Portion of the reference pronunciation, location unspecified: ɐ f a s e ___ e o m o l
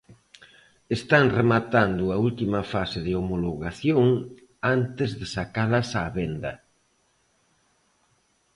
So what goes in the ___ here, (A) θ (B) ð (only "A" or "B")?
B